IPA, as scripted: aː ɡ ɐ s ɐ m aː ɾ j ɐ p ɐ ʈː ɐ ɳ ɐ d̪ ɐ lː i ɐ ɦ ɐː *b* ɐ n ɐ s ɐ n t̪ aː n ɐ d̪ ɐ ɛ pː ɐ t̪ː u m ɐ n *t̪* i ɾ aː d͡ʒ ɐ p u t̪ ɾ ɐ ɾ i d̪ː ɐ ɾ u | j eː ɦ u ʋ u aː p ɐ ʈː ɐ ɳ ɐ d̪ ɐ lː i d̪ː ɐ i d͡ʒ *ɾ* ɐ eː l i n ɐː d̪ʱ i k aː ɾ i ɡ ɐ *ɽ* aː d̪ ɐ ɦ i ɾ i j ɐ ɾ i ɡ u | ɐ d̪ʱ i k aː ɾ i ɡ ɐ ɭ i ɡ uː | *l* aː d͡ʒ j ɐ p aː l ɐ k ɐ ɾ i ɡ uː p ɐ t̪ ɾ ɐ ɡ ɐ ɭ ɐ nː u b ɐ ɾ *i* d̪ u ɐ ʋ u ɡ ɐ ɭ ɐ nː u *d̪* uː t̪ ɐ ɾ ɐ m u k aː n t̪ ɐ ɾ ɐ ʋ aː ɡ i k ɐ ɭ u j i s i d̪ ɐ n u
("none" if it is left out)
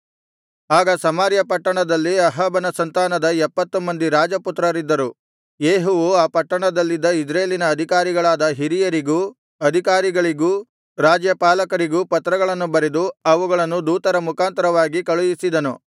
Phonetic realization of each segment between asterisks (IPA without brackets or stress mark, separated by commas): b, d̪, ɾ, ɭ, ɾ, e, d̪